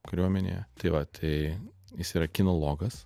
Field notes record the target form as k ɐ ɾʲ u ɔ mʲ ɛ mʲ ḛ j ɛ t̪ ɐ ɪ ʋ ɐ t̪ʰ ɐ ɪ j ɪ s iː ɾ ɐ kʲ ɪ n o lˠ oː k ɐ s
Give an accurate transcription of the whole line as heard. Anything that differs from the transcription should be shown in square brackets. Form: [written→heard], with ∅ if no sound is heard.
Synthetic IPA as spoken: k ɐ ɾʲ u ɔ mʲ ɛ [mʲ→nʲ] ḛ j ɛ t̪ ɐ ɪ ʋ ɐ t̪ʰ ɐ ɪ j ɪ s iː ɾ ɐ kʲ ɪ n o lˠ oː [k→ɡ] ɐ s